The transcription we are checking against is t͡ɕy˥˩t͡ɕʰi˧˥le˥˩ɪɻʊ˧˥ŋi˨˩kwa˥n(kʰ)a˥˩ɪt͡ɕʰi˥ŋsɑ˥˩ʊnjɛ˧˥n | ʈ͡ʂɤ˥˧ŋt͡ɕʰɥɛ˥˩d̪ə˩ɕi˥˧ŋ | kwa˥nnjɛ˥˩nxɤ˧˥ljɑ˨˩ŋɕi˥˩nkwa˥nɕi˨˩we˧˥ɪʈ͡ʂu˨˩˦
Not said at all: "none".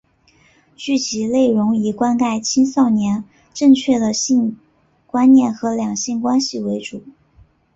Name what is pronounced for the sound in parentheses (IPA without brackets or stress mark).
k